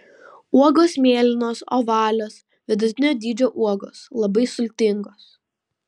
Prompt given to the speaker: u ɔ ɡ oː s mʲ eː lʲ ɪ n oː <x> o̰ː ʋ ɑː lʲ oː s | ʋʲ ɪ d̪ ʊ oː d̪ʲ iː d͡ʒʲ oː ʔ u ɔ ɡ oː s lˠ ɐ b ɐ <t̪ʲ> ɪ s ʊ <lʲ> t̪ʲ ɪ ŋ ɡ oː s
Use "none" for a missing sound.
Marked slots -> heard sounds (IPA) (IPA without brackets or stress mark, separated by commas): s, none, lʲ